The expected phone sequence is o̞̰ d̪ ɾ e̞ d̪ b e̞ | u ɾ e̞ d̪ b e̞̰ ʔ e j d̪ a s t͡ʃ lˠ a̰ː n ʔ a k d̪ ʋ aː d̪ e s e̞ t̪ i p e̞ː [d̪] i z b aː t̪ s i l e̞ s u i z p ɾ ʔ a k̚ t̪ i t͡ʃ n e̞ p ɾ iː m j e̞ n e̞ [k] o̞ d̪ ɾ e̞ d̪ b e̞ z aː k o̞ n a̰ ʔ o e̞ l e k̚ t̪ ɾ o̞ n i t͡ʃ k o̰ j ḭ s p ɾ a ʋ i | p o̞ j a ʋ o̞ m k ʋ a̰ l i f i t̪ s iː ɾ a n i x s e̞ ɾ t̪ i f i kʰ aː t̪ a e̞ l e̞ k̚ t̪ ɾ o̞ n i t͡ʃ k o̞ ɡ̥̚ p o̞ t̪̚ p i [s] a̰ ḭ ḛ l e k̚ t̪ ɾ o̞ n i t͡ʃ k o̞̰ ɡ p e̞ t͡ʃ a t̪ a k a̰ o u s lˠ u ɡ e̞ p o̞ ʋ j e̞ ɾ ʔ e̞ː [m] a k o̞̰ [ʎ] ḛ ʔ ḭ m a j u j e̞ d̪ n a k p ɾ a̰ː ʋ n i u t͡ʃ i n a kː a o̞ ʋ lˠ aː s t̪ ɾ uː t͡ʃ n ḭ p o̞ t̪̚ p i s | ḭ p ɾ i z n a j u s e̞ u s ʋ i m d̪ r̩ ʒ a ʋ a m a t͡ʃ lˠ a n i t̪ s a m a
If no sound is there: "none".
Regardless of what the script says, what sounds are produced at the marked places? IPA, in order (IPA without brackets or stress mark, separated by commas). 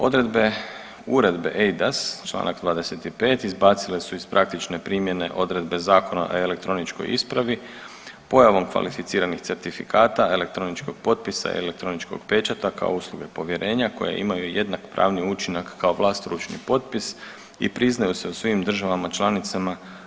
t̪, ʔ, s, ɲ, j